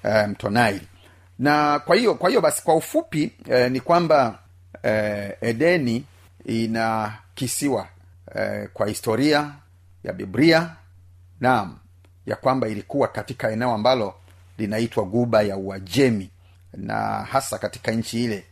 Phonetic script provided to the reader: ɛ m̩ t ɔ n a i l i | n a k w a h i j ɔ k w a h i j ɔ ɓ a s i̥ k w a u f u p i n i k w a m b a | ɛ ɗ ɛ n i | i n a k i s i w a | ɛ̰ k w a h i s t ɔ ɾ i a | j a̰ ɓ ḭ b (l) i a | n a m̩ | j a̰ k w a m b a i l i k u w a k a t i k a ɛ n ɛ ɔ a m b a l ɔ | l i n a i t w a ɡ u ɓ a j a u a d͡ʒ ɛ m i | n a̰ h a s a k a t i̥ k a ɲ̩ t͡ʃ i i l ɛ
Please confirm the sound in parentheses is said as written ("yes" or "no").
no